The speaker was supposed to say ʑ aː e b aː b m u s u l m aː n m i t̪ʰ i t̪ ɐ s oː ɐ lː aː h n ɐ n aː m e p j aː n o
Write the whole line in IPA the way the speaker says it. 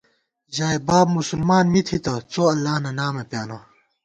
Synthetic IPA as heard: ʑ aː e b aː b m u s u l m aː n m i t̪ʰ i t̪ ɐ t͡s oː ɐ lː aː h n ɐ n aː m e p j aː n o